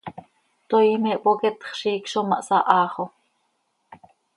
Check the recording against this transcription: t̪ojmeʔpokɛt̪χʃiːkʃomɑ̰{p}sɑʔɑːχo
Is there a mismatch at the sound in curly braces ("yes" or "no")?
yes